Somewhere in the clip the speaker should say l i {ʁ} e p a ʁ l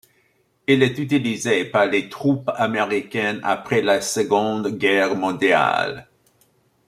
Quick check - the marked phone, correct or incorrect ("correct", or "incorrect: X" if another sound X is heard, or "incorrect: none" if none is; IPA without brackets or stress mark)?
incorrect: z